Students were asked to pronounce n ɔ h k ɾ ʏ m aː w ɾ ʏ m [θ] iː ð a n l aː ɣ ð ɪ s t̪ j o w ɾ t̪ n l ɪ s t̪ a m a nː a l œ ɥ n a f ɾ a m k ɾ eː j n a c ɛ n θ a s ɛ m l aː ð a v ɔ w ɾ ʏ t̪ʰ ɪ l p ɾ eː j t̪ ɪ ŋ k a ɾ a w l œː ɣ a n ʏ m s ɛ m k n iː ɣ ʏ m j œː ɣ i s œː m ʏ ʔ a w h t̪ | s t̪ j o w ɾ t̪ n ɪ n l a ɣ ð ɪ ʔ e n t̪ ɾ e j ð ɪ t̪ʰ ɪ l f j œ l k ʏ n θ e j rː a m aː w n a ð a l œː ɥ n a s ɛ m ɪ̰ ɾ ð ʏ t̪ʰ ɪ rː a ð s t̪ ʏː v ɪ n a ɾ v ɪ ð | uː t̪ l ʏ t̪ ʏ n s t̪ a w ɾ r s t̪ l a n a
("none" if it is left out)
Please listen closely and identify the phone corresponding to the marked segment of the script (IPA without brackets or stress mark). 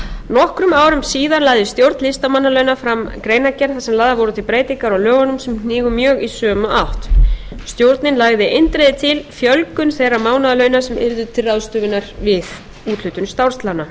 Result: s